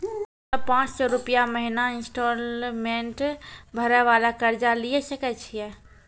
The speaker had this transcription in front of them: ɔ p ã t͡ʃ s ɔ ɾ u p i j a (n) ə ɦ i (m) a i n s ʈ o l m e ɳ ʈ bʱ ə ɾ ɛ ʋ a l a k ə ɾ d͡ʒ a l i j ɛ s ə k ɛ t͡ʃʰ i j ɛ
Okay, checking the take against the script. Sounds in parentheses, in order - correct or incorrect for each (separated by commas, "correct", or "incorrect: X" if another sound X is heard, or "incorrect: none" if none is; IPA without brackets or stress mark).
incorrect: m, incorrect: n